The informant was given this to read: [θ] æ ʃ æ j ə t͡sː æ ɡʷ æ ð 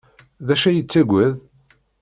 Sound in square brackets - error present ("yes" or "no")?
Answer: yes